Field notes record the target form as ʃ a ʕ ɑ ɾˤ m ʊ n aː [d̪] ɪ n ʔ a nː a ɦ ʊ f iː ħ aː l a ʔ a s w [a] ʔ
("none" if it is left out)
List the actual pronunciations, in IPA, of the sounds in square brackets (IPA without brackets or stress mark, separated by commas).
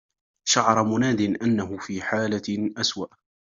d̪, a